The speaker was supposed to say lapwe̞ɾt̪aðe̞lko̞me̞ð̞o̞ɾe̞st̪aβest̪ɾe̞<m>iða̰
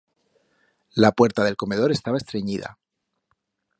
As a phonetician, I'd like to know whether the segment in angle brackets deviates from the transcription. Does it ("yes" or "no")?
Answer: yes